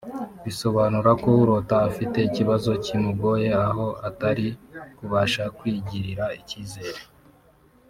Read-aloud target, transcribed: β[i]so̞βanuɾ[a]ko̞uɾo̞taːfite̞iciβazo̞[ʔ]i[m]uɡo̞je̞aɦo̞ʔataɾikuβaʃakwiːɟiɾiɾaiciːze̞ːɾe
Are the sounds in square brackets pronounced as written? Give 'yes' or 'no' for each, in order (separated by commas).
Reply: yes, yes, no, yes